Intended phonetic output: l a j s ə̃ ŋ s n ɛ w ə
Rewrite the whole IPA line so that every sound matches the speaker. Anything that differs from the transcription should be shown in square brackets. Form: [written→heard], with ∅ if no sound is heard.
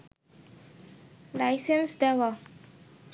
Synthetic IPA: l a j s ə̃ [ŋ→n] s [n→d] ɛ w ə